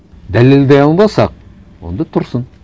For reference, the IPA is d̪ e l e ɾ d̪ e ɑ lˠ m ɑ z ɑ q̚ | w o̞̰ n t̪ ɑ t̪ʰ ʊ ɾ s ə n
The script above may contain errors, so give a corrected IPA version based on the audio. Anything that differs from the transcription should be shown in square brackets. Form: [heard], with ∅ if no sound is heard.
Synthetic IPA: d̪ [æ] l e [l] d̪ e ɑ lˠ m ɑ [s] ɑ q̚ | w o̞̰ n [d̪] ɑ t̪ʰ ʊ ɾ s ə n